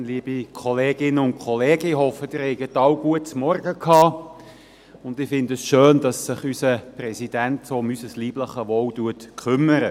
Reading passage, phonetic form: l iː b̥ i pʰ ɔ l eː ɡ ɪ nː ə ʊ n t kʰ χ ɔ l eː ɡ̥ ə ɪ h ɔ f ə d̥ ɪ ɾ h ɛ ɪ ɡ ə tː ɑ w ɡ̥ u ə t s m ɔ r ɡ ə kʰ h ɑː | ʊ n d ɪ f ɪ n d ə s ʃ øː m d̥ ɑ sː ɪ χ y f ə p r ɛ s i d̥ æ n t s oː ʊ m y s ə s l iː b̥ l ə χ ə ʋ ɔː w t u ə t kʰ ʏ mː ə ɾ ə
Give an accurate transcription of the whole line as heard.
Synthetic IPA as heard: l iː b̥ i kʰ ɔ l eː ɡ ɪ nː ə ʊ n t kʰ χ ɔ l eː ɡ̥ ə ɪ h ɔ f ə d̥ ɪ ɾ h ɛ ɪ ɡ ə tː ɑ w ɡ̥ u ə t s m ɔ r ɡ ə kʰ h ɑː | ʊ n d ɪ f ɪ n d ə s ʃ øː n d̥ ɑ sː ɪ χ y s ə p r ɛ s i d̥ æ n t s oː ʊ m y s ə s l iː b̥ l ə χ ə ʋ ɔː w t u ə t kʰ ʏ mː ə ɾ ə